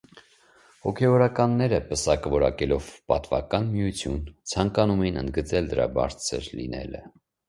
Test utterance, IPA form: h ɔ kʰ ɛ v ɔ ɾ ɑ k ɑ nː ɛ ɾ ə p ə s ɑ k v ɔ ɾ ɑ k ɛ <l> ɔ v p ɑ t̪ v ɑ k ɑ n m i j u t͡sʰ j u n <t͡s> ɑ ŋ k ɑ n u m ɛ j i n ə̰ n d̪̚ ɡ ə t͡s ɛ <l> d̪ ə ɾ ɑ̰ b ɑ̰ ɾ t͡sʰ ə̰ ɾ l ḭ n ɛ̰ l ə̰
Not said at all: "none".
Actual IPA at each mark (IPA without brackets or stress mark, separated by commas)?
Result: l, t͡sʰ, l